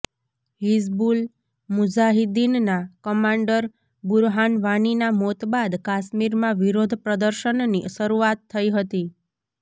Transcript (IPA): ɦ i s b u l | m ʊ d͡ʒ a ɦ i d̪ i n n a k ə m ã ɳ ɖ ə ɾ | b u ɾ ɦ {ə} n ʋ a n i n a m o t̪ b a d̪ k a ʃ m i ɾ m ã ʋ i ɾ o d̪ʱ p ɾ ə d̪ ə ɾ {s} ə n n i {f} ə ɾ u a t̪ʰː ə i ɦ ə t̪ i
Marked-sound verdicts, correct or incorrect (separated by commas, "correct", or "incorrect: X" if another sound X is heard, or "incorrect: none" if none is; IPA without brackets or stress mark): incorrect: a, incorrect: ʃ, incorrect: ʃ